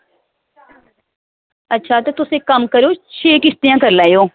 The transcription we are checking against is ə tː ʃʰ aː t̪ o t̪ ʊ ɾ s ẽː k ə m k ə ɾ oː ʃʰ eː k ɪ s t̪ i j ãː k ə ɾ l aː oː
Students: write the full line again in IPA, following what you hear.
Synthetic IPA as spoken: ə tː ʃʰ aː t̪ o t̪ ʊ s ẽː k ə m k ə ɾ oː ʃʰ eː k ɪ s t̪ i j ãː k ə ɾ l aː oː